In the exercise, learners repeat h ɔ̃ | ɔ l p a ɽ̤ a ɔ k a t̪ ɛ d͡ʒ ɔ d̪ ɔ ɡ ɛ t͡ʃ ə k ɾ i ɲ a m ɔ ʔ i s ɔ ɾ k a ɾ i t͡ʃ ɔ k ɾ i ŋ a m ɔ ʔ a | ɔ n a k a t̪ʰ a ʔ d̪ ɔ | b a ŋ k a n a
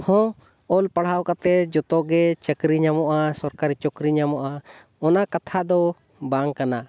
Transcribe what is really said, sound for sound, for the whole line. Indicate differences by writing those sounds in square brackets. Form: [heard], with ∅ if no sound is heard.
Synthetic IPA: h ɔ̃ | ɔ l p a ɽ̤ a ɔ k a t̪ ɛ d͡ʒ ɔ [t̪] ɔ ɡ ɛ t͡ʃ ə k ɾ i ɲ a m ɔ ʔ [a] s ɔ ɾ k a ɾ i t͡ʃ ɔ k ɾ i [ɲ] a m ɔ ʔ a | ɔ n a k a t̪ʰ a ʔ d̪ ɔ | b a ŋ k a n a